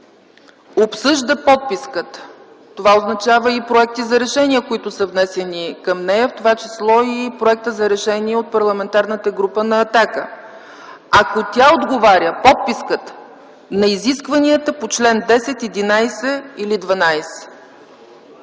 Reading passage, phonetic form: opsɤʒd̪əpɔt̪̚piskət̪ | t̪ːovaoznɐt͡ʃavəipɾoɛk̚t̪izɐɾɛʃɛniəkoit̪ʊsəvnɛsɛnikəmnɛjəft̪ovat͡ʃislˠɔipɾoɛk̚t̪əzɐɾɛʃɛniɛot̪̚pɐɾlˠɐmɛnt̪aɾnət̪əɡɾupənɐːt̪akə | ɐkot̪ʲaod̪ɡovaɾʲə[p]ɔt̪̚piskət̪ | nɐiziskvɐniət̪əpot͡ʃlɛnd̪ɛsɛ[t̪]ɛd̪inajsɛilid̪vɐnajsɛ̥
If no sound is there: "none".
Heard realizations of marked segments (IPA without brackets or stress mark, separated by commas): p, t̪